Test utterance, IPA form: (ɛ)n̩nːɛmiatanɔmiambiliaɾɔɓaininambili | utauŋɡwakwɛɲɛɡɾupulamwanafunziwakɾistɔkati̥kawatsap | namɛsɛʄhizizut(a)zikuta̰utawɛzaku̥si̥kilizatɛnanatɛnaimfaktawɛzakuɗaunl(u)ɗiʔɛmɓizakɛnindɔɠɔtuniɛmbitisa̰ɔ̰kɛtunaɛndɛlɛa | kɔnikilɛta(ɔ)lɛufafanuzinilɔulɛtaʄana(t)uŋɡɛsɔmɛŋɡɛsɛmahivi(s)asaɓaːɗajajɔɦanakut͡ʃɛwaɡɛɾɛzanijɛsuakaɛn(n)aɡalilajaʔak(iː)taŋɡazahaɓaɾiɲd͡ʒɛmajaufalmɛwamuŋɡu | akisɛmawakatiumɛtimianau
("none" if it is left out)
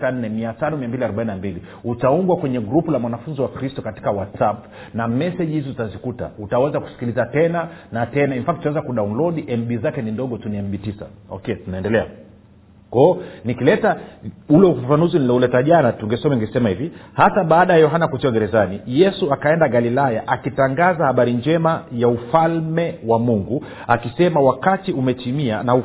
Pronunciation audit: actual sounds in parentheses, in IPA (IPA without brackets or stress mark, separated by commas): a, a, ɔ, u, t, h, d, i